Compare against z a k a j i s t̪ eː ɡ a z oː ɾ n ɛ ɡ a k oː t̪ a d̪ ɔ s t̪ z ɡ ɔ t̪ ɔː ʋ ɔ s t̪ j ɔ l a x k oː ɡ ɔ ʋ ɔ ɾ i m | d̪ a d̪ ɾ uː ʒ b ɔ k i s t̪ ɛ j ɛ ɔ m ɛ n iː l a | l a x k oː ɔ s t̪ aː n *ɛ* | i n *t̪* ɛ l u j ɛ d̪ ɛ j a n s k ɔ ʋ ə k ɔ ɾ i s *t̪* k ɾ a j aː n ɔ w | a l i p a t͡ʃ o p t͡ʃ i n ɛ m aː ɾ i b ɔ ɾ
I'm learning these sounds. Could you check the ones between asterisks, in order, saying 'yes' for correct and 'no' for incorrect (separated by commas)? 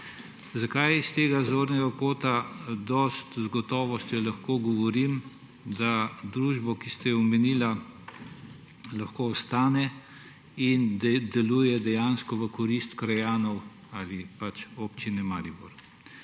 yes, no, yes